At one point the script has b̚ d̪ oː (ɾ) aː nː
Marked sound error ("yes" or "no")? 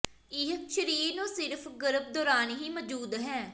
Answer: no